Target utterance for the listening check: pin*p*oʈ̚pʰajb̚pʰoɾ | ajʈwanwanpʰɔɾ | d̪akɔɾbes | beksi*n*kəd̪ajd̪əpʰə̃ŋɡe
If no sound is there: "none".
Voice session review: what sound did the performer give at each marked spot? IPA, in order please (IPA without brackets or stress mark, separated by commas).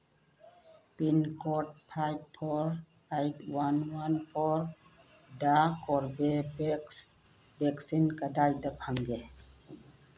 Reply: k, n